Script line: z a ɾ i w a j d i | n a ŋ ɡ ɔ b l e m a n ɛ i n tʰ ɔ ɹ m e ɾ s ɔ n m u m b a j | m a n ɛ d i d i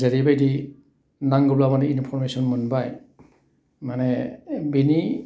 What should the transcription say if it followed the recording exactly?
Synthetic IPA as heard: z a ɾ i b a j d i | n a ŋ ɡ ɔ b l a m a n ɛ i n pʰ ɔ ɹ m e s ɔ n m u n b a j | m a n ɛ b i n i